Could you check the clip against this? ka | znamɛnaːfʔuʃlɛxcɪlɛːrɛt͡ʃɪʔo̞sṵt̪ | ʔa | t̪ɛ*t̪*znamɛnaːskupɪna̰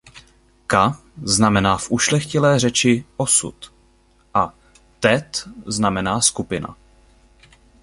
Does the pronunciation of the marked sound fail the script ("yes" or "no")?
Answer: no